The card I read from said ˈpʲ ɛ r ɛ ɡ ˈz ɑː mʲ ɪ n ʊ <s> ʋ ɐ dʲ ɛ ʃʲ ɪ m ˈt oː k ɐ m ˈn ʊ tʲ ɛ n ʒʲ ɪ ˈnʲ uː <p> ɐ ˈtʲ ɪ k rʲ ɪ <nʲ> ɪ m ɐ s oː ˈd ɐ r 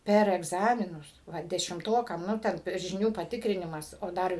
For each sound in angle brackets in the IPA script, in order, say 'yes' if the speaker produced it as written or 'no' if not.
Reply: yes, yes, yes

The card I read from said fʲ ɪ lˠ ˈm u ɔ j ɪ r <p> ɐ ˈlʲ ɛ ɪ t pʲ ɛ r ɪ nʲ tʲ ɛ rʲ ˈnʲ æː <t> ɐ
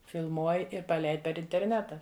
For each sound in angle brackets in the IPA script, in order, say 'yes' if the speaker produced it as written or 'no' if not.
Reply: yes, yes

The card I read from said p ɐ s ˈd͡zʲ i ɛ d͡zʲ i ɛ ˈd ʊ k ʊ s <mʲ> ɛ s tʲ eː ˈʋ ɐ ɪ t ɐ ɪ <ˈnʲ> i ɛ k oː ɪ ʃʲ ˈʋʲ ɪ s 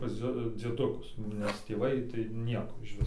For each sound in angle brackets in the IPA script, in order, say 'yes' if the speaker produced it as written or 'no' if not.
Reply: no, yes

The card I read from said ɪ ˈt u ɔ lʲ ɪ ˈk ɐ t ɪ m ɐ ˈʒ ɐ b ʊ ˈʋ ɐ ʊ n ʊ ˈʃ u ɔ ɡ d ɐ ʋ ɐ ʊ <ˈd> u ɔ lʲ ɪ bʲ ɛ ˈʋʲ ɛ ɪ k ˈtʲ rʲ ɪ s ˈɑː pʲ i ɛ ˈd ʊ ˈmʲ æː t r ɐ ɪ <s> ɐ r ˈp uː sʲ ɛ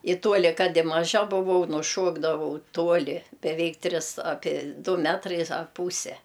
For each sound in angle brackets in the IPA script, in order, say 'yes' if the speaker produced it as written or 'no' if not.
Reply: no, yes

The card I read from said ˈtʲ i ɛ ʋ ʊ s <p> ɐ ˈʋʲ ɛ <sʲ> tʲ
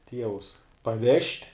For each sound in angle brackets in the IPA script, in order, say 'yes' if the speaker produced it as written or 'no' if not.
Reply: yes, no

